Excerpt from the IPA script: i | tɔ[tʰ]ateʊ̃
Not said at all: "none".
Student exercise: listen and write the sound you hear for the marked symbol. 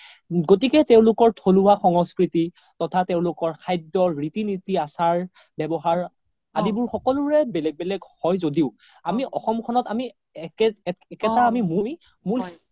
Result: tʰ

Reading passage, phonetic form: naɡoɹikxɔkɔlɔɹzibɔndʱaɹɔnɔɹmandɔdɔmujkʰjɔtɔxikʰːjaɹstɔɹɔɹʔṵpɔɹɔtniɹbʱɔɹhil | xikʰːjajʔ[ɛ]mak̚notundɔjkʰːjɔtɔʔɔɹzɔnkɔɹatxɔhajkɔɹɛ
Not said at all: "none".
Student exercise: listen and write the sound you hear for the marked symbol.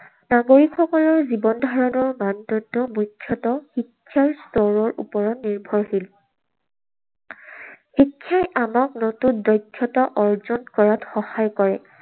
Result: a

